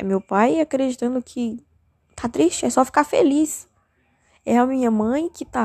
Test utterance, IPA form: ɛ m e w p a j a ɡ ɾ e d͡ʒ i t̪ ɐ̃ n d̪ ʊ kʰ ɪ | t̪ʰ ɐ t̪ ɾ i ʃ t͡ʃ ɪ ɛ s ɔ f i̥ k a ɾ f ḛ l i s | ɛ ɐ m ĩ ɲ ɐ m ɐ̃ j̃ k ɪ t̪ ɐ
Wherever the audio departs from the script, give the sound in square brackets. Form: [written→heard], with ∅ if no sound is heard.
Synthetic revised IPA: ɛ m e w p a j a [ɡ→k] ɾ e d͡ʒ i t̪ ɐ̃ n d̪ ʊ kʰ ɪ | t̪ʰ [ɐ→a] t̪ ɾ i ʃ t͡ʃ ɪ ɛ s ɔ f i̥ k a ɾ f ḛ l i s | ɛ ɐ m ĩ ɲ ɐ m ɐ̃ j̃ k ɪ t̪ [ɐ→a]